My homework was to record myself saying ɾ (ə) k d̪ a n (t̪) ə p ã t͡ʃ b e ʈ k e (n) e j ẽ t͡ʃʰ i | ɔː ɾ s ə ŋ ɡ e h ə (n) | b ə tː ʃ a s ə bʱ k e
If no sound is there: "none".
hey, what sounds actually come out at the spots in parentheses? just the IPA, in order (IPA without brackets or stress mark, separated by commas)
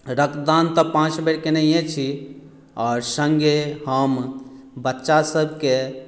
ə, t̪, n, m